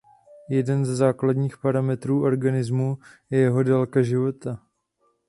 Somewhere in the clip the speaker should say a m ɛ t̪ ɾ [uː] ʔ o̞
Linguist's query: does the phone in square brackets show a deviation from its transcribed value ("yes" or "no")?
no